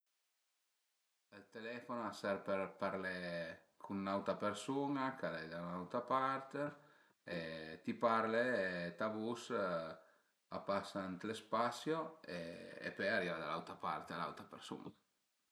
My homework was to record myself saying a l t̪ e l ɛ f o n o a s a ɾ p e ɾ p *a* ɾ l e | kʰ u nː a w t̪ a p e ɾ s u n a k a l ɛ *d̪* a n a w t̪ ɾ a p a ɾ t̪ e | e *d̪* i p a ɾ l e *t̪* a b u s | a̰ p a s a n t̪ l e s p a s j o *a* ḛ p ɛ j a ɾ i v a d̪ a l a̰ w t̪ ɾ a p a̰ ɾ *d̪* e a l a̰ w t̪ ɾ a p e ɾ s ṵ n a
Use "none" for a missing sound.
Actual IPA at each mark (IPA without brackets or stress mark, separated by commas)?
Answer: a, d̪, t̪, t̪, e, t̪